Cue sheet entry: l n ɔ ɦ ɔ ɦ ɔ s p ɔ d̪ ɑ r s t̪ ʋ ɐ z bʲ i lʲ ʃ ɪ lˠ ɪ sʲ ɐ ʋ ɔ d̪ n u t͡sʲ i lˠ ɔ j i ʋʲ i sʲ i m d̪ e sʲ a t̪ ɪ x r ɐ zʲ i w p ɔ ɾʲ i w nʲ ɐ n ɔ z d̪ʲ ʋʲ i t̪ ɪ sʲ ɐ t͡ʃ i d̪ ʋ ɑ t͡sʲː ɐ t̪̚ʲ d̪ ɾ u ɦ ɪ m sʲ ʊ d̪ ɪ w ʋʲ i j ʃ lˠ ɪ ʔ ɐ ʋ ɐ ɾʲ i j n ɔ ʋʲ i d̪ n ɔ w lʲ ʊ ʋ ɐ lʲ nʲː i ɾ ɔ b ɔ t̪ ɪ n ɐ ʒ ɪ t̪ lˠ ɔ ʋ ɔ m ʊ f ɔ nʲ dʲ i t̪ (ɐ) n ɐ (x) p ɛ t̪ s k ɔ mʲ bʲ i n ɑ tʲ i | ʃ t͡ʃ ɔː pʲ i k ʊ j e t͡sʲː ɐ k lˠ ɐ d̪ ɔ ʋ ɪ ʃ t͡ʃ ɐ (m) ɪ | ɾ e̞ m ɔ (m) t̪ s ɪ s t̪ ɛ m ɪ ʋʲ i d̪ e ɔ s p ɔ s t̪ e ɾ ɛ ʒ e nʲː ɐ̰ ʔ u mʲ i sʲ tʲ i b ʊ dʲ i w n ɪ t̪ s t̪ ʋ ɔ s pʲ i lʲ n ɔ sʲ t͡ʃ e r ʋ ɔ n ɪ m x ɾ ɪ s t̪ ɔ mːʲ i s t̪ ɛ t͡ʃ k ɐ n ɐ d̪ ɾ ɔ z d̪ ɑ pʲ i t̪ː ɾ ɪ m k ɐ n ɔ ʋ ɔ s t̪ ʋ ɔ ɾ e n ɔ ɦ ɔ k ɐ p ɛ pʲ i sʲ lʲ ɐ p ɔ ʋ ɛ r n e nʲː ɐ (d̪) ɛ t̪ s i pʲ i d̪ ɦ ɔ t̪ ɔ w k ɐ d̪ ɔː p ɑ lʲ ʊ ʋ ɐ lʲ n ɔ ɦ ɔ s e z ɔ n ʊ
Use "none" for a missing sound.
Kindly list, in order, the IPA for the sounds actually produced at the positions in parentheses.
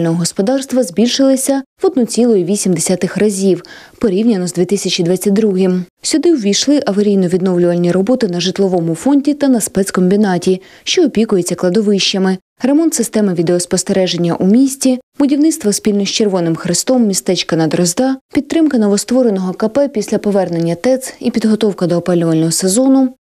ɐ, s, m, n, t̪

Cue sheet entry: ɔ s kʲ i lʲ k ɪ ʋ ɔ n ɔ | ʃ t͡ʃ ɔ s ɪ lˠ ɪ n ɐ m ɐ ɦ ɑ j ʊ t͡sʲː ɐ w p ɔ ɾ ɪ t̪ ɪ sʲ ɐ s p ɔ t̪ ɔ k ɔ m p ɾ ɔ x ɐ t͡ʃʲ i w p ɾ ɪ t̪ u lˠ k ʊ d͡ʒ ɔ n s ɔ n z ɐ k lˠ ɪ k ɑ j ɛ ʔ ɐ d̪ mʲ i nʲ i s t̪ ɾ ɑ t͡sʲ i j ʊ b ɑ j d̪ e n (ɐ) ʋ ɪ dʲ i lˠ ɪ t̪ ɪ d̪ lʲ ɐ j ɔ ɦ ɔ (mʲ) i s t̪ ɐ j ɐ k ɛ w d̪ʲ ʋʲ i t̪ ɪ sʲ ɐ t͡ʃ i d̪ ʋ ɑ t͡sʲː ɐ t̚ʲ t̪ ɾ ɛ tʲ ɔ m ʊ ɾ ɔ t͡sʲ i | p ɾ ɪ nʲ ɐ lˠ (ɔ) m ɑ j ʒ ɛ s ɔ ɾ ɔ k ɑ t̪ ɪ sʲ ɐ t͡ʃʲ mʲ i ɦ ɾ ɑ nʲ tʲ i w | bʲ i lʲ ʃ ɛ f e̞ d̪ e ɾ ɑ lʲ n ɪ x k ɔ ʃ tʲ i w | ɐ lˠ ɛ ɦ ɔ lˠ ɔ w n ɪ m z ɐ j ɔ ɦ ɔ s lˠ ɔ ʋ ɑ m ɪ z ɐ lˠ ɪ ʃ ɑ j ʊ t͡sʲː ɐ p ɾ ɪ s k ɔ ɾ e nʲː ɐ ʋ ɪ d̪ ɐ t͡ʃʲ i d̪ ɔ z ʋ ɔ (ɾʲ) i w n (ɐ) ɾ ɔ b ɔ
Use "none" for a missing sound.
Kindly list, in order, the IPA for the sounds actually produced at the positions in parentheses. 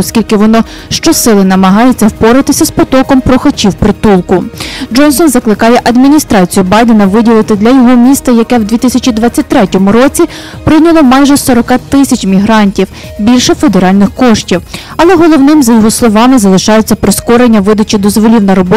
ɐ, mʲ, ɔ, lʲ, ɐ

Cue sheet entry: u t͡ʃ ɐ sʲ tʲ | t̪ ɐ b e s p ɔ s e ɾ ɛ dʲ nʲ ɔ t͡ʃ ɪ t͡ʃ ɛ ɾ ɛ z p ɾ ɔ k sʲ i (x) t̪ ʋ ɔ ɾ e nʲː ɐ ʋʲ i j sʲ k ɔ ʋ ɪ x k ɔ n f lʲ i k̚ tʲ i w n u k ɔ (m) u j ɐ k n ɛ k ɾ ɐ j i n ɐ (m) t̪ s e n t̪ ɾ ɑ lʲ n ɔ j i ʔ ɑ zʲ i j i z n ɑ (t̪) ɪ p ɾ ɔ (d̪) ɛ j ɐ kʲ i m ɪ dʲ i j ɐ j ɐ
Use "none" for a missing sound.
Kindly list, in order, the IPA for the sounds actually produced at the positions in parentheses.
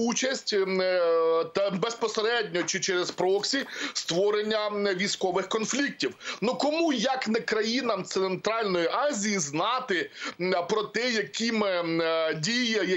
s, m, m, t̪, t̪

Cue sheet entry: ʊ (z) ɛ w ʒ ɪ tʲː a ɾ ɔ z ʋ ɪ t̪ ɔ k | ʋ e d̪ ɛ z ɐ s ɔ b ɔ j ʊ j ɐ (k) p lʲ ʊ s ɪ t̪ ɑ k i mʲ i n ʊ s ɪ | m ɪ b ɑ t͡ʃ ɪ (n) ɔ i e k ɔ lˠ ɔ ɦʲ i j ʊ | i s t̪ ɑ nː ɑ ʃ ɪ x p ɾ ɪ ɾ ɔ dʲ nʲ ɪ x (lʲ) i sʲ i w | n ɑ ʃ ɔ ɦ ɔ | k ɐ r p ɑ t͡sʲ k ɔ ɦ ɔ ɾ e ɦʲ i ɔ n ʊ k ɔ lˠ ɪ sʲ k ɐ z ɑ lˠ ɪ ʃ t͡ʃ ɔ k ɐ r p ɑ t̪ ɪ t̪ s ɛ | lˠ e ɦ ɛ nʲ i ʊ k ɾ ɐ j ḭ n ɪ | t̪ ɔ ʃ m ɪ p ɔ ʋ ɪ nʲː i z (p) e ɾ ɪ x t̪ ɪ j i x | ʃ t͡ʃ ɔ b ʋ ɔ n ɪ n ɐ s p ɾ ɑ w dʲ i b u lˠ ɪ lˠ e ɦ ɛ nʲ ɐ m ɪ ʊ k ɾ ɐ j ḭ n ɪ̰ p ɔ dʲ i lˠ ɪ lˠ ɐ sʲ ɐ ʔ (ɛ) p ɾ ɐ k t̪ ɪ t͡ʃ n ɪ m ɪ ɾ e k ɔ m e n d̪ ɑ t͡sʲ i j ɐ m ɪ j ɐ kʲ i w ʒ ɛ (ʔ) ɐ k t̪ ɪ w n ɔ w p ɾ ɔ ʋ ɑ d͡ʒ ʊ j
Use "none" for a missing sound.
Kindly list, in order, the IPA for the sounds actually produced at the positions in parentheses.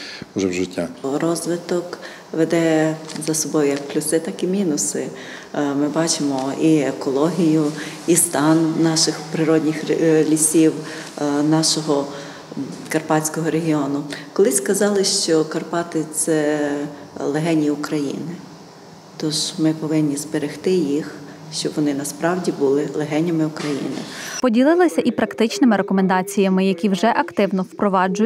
ʒ, k, m, lʲ, b, i, ʔ

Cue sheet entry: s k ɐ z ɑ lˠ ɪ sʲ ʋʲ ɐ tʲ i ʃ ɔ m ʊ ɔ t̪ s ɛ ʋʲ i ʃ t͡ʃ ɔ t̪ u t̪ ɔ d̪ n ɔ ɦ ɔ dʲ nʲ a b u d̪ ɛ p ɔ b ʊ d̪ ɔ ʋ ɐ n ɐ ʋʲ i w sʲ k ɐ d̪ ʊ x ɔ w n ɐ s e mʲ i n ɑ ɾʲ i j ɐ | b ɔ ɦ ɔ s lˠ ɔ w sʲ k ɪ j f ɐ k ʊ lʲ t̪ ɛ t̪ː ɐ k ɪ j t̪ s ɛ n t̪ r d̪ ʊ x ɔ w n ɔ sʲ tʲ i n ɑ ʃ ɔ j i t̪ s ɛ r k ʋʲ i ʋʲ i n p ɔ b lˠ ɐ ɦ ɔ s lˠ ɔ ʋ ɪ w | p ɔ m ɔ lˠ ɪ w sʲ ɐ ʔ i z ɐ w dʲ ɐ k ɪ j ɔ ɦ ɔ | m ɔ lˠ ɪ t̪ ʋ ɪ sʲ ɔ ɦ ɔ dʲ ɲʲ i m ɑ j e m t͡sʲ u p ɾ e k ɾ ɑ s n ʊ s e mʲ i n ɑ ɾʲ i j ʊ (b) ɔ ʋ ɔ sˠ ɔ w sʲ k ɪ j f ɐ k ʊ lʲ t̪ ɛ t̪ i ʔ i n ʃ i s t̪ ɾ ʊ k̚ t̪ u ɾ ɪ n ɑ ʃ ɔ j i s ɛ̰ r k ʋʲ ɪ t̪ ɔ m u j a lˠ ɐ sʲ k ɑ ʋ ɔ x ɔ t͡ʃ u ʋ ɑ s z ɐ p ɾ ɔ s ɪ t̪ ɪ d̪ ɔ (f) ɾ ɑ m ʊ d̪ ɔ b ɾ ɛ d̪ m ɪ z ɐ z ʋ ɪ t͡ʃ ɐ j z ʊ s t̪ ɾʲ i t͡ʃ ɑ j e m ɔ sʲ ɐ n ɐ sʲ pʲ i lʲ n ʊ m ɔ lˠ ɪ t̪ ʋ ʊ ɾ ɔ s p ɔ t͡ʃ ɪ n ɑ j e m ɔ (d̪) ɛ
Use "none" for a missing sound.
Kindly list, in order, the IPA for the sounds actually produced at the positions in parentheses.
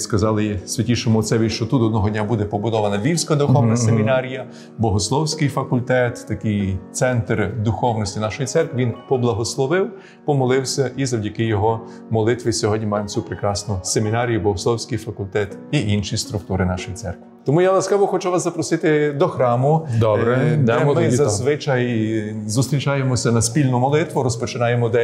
b, x, d̪

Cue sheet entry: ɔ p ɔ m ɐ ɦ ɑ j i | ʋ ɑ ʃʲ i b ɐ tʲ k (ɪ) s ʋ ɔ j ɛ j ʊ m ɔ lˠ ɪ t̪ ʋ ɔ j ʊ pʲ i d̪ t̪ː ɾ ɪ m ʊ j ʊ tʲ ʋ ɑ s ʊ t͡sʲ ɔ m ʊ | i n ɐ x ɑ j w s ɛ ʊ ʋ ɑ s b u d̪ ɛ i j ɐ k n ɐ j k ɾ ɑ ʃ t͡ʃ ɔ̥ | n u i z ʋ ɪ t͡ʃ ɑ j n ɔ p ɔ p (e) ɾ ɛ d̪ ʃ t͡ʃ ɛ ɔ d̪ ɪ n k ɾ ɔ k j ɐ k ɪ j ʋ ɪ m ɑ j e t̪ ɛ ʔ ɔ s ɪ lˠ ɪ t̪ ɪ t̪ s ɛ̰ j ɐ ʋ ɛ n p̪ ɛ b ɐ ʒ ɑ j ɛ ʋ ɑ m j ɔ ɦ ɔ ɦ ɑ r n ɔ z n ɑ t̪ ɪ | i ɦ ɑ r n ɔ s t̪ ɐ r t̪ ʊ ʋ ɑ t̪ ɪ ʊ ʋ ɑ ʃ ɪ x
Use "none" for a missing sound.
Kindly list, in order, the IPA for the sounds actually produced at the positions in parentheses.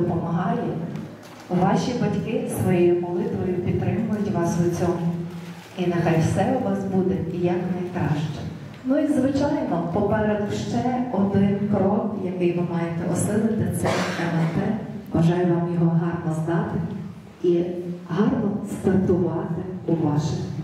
ɪ, ɛ

